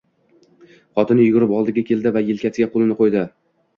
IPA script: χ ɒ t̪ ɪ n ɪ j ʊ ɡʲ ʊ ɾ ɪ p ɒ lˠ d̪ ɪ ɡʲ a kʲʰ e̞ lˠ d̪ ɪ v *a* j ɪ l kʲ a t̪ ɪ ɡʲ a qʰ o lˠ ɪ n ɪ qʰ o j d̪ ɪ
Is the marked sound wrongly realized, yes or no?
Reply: no